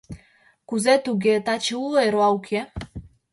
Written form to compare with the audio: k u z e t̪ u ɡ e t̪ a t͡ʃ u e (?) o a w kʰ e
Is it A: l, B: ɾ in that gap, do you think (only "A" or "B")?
B